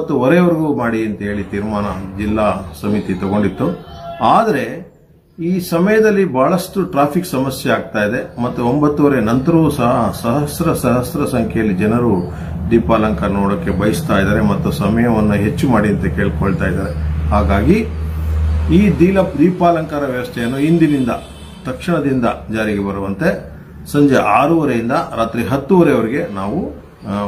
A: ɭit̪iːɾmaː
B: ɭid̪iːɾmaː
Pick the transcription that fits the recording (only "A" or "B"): A